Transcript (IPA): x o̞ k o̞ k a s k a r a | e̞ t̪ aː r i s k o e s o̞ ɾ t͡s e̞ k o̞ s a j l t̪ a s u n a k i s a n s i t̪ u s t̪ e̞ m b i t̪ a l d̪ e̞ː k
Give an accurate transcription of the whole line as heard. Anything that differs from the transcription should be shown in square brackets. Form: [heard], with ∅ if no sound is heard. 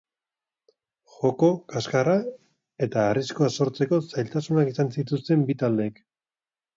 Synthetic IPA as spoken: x o̞ k o̞ k a s k a r a | e̞ t̪ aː r i s k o [a] s o̞ ɾ t͡s e̞ k o̞ s a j l t̪ a s u n a k i s a n s i t̪ u s t̪ e̞ m b i t̪ a l d̪ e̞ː k